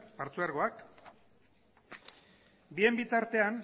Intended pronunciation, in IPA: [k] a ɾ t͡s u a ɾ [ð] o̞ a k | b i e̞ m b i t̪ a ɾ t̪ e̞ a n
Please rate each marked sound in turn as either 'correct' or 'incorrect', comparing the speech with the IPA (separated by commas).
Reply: incorrect, incorrect